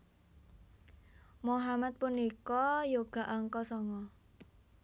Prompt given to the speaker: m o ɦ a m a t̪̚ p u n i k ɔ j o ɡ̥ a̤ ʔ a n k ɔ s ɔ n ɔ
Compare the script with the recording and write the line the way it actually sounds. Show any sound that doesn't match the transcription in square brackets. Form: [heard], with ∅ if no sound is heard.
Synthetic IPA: m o ɦ a m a t̪̚ p u n i k ɔ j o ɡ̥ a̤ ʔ a [ŋ] k ɔ s ɔ [ŋ] ɔ

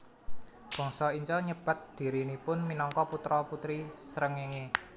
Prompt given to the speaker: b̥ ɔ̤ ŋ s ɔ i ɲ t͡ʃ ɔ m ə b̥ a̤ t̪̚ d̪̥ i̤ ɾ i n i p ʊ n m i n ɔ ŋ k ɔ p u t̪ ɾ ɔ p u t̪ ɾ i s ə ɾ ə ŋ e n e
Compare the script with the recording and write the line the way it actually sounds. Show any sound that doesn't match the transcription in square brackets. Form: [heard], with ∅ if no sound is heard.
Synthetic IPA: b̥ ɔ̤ ŋ s ɔ i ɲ t͡ʃ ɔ [ɲ] ə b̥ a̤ t̪̚ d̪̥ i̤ ɾ i n i p ʊ n m i n ɔ ŋ k ɔ p u t̪ ɾ ɔ p u t̪ ɾ i s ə ɾ ə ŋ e [ŋ] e

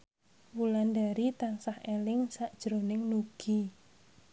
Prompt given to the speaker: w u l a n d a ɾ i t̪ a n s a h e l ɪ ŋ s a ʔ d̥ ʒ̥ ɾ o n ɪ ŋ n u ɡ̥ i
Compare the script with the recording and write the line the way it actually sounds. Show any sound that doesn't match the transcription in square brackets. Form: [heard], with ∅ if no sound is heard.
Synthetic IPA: w u l a n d a ɾ i t̪ a n s a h e l ɪ ŋ s a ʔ d̥ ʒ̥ ɾ o n ɪ ŋ n u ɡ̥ i

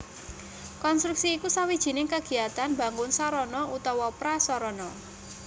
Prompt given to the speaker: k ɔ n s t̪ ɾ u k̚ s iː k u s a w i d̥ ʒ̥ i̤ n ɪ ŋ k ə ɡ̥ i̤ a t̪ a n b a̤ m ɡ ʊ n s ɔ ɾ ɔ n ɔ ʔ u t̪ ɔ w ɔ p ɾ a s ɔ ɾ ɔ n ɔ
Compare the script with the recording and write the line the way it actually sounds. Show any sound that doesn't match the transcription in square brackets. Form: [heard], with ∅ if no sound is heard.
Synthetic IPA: k ɔ n s t̪ ɾ u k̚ s iː k u s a w i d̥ ʒ̥ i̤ n ɪ ŋ k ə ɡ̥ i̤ a t̪ a n b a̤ [ŋ] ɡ ʊ n s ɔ ɾ ɔ n ɔ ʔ u t̪ ɔ w ɔ p ɾ a s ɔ ɾ ɔ n ɔ

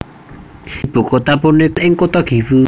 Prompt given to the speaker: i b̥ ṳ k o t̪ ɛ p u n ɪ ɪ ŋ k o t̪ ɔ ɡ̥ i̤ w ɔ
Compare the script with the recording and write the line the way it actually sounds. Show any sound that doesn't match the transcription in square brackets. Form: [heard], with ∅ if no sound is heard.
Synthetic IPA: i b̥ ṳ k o t̪ [a] p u n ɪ ɪ ŋ k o t̪ ɔ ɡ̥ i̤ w [u]

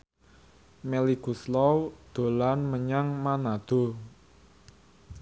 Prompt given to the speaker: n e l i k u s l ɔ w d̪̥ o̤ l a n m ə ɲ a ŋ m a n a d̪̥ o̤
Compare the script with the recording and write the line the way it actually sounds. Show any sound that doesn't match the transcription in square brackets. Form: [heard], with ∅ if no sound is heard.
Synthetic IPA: [m] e l i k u s l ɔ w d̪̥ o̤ l a n m ə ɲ a ŋ m a n a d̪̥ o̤

